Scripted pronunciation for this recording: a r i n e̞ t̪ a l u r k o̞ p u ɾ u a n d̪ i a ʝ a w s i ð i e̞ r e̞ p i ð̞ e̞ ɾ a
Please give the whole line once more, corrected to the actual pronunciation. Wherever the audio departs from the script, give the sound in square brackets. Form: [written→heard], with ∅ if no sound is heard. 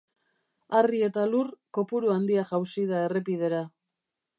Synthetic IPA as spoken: a r i [n→∅] e̞ t̪ a l u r k o̞ p u ɾ u a n d̪ i a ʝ a w s i ð [i→a] e̞ r e̞ p i ð̞ e̞ ɾ a